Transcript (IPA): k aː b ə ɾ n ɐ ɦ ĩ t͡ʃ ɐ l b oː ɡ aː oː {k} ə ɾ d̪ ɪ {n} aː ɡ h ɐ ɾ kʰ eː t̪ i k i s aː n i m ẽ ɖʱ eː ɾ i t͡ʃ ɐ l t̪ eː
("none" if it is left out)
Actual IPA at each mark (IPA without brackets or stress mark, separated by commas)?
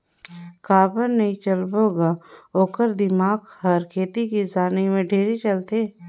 k, m